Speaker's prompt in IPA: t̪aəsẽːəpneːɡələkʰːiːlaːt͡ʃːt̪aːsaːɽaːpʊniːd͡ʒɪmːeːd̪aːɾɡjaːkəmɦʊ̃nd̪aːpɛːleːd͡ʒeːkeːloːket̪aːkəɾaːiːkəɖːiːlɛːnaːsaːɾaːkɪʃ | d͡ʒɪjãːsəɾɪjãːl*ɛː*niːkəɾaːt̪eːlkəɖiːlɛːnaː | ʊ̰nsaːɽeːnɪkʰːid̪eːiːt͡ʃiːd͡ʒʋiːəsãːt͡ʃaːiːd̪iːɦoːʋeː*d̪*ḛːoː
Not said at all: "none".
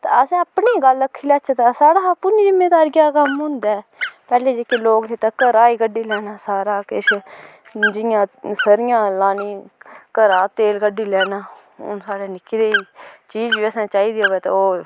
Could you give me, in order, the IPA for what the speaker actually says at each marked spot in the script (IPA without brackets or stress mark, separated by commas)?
aː, t̪